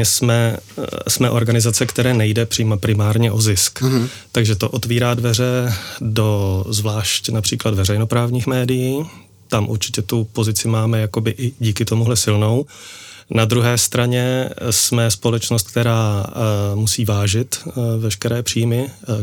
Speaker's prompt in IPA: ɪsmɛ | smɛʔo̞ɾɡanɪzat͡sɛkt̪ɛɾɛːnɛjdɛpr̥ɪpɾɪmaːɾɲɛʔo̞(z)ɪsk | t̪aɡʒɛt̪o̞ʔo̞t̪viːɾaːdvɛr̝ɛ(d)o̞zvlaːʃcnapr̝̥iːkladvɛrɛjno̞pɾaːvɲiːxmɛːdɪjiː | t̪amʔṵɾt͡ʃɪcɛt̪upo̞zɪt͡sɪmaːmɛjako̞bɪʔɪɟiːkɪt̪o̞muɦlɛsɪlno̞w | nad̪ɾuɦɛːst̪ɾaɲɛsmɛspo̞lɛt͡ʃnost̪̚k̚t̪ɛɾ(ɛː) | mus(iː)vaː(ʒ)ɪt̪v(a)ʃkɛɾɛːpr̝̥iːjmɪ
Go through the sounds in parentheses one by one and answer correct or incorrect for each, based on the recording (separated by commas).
correct, correct, incorrect, correct, correct, incorrect